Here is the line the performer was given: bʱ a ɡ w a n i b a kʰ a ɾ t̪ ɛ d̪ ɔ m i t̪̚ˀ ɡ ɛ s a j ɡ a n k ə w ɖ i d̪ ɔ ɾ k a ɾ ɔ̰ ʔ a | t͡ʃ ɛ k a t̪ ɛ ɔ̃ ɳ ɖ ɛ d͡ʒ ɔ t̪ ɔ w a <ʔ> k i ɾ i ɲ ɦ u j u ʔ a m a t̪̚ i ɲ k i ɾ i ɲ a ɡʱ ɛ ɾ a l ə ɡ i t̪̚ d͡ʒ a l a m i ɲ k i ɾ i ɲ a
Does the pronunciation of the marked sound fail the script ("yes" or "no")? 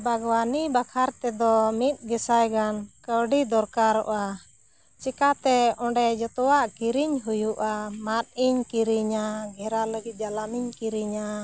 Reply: no